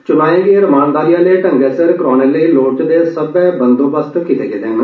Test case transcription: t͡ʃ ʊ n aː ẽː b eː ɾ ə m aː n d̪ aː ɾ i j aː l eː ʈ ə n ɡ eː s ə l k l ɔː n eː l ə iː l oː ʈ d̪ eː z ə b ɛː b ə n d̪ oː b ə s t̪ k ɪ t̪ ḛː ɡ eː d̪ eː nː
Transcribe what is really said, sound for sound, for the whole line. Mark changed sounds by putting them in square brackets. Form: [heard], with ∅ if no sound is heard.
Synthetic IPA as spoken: t͡ʃ ʊ n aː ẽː [ɡ] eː ɾ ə m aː n d̪ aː ɾ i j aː l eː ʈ ə [ŋ] ɡ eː s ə [ɾ] k [ɾ] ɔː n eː l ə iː l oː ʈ d̪ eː [s] ə b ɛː b ə n d̪ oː b ə s t̪ k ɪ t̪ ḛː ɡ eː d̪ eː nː